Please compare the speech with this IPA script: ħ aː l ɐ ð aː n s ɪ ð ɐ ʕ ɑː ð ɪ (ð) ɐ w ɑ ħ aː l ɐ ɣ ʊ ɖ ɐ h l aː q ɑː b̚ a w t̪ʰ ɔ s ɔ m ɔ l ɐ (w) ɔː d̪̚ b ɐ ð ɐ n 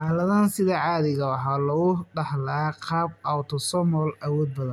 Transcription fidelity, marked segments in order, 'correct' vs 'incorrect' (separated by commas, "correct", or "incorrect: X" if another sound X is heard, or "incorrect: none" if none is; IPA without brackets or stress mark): incorrect: ɣ, correct